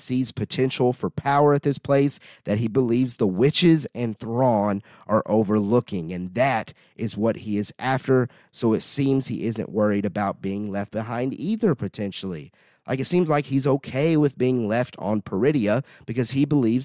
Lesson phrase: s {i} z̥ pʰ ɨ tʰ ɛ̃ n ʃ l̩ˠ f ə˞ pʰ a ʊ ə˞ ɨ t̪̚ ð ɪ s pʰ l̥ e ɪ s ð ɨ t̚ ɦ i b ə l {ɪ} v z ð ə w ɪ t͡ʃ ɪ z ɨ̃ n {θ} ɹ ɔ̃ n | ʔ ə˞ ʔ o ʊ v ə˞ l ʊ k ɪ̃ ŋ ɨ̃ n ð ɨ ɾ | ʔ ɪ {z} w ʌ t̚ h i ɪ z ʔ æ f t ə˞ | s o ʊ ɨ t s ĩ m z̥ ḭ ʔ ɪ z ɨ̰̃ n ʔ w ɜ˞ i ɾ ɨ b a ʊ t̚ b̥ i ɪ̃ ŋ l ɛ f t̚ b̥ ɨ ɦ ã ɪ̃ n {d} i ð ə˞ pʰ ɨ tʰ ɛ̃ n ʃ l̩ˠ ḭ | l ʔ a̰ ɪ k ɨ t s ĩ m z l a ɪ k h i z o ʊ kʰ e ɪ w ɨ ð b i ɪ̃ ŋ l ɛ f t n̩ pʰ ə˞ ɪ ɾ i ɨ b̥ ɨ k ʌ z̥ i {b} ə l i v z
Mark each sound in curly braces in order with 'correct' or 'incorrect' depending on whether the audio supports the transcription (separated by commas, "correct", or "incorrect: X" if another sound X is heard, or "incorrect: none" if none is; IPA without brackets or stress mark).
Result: correct, incorrect: i, correct, correct, correct, correct